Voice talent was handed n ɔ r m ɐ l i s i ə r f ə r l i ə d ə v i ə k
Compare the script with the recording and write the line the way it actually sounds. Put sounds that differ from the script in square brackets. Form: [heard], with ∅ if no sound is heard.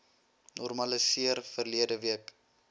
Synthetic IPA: n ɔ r m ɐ l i s i ə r f ə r l i ə d ə v i ə k